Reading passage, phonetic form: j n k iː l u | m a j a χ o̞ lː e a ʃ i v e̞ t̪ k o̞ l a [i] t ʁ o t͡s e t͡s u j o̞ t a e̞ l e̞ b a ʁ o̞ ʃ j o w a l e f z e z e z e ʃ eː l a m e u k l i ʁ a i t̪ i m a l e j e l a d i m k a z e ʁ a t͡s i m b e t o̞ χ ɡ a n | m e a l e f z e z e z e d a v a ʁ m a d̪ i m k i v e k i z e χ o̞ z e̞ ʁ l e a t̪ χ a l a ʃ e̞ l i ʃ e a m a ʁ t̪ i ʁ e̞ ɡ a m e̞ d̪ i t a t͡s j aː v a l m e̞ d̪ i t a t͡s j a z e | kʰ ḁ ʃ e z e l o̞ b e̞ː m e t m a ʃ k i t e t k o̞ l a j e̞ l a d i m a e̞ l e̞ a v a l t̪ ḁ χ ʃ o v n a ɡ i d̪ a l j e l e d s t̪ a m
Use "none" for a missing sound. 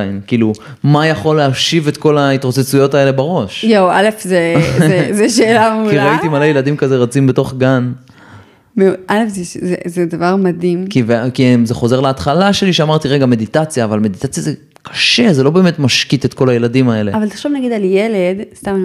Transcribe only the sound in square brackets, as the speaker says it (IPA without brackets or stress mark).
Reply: i